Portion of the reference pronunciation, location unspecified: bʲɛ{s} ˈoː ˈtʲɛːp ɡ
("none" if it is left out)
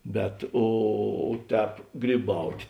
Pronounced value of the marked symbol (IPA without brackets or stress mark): t